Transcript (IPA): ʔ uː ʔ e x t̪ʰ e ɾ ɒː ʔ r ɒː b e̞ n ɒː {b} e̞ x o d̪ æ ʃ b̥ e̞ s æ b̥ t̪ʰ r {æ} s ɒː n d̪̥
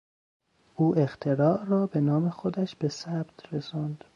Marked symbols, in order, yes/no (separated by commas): no, no